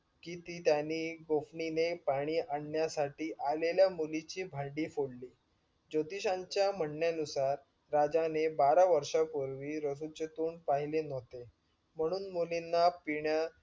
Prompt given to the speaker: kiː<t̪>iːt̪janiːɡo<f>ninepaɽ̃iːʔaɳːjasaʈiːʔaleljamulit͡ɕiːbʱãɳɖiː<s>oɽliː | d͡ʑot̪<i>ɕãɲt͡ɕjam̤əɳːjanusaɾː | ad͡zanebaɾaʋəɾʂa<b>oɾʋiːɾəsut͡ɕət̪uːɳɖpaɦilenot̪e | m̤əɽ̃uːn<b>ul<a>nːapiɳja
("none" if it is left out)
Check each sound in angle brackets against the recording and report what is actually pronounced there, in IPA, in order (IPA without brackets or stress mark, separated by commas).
t̪, f, f, i, p, m, i